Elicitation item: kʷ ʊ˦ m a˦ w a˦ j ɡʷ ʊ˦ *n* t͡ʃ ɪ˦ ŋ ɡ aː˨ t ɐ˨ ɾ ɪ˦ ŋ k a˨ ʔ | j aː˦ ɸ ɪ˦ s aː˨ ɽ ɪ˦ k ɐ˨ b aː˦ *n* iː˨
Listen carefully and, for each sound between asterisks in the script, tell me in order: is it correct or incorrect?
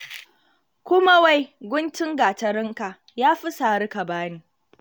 correct, correct

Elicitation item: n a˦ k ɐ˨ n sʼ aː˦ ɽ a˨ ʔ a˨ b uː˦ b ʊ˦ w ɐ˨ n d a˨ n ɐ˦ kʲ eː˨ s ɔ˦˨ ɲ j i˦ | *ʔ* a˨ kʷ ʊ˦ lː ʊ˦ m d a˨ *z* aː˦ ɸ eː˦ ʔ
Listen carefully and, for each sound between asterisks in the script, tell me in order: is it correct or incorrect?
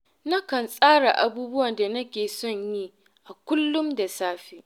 correct, incorrect: s

